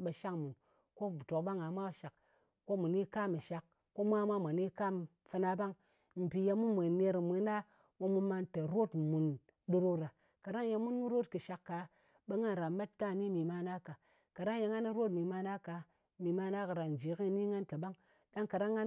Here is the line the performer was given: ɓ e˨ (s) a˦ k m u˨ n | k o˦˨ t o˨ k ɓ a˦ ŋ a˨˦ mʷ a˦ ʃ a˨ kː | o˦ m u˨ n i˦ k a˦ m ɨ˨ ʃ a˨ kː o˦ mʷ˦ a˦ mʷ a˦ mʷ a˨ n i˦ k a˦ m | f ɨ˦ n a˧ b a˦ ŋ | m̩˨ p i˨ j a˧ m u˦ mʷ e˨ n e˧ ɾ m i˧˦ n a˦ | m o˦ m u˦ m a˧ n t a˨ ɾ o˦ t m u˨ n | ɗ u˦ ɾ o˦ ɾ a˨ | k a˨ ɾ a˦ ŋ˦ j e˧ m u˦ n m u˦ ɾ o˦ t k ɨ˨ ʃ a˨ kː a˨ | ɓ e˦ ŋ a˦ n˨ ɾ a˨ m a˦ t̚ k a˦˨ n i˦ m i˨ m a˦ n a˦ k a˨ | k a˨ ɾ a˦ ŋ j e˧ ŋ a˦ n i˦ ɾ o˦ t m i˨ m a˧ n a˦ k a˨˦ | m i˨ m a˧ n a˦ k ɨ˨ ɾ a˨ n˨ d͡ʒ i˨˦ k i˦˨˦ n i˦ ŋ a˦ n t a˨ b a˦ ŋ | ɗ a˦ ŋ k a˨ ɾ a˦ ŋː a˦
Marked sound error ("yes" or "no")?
yes